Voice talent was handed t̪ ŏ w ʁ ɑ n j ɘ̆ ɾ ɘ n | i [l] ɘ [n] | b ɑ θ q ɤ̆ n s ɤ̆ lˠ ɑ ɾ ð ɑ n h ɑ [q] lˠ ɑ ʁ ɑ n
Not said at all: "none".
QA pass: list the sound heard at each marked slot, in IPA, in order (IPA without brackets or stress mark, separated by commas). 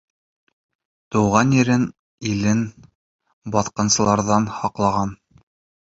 l, n, q